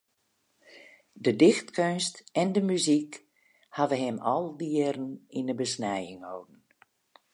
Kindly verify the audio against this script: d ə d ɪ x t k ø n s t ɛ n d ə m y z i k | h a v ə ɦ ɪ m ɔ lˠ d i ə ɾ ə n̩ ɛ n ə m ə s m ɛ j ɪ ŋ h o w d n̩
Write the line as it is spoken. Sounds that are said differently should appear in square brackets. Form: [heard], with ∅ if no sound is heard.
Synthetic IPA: d ə d ɪ x t k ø n s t ɛ n d ə m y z i k | h a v ə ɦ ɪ m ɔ lˠ d i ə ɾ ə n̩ [i] n ə [b] ə s [n] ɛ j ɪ ŋ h o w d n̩